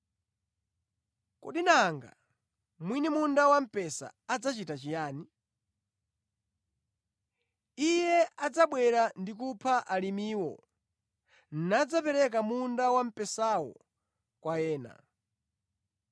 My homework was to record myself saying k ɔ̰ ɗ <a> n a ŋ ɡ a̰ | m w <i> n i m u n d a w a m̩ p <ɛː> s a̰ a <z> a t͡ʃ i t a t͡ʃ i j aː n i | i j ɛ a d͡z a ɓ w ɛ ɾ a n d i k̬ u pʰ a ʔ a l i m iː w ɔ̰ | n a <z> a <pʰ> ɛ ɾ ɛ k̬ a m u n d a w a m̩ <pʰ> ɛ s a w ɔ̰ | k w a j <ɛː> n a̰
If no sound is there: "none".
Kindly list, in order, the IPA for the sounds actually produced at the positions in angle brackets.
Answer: i, i, ɛ, d͡z, d͡z, p, p, ɛː

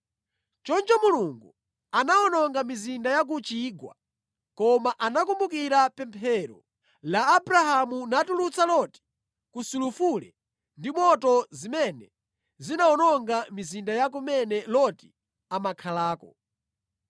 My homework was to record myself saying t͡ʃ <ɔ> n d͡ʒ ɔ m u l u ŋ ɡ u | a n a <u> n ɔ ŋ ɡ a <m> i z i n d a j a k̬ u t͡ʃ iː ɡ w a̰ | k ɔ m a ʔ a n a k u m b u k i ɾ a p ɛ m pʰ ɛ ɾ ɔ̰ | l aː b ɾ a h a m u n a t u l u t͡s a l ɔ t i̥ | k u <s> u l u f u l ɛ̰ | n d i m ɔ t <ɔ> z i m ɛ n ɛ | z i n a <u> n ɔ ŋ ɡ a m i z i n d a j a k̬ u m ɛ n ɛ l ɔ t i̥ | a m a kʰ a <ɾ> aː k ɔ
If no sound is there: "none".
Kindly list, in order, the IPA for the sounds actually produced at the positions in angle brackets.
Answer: ɔ, ɔ, m, s, ɔ, ɔ, l

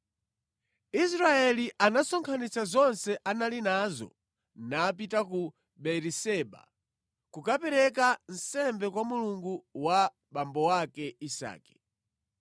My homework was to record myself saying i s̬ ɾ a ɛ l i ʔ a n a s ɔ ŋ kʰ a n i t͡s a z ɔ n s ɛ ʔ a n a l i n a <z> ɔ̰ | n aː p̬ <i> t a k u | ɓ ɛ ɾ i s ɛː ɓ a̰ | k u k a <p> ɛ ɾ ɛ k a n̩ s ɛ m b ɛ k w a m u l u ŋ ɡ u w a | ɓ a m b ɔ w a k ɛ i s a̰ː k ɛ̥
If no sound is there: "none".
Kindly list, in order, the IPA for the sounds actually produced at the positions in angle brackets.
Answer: z, i, p

